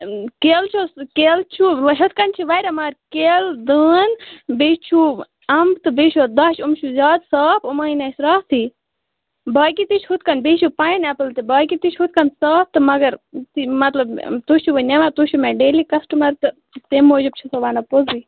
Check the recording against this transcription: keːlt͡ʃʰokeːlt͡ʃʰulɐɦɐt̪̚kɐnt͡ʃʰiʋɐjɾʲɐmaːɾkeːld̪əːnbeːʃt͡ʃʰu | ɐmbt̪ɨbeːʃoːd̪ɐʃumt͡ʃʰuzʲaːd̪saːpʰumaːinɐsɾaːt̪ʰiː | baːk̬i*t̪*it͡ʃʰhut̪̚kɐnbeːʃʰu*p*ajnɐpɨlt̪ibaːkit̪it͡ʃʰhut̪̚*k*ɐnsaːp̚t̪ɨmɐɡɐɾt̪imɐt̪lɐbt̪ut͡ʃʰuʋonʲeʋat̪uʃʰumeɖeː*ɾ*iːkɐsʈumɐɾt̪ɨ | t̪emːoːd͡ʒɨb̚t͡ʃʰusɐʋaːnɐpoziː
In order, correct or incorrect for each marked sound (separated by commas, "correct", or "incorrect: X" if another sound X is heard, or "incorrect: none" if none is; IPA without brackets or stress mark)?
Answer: correct, correct, correct, incorrect: l